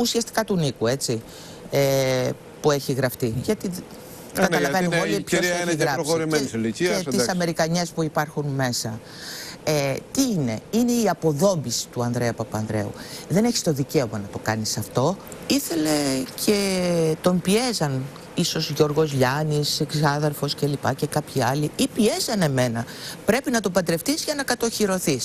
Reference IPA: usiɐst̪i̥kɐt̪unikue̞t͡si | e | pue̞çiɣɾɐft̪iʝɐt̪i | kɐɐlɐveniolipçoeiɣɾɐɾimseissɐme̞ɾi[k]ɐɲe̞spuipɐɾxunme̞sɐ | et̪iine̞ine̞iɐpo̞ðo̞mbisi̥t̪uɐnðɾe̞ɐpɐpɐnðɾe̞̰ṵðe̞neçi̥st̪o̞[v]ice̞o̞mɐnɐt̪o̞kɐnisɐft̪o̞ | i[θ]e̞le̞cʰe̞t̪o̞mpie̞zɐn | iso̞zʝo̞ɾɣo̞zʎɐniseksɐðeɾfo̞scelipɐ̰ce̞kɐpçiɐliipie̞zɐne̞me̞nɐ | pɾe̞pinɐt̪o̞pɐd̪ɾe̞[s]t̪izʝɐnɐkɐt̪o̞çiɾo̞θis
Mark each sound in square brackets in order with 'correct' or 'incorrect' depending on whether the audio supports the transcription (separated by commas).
correct, incorrect, correct, incorrect